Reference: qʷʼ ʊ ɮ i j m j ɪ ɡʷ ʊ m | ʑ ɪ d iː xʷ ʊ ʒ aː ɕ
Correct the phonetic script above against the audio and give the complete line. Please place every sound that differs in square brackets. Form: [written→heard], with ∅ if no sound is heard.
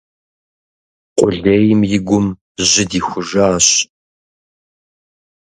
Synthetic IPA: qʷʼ ʊ ɮ [i→e] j m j ɪ ɡʷ ʊ m | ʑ ɪ d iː xʷ ʊ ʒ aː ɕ